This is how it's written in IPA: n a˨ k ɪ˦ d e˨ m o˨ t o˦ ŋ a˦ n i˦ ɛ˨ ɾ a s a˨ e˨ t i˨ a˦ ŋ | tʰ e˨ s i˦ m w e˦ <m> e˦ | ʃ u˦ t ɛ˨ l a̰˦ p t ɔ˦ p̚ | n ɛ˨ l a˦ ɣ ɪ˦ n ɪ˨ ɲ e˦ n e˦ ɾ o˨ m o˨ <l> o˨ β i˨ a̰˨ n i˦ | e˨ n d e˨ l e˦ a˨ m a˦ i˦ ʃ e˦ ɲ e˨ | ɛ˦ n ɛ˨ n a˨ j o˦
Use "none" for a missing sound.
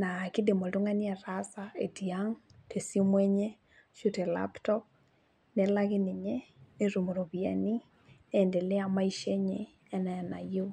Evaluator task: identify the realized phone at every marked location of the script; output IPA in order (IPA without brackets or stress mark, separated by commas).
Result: ɲ, ɾ